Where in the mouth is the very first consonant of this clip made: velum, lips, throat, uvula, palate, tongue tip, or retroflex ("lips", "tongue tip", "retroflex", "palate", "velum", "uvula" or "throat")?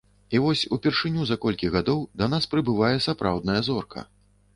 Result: lips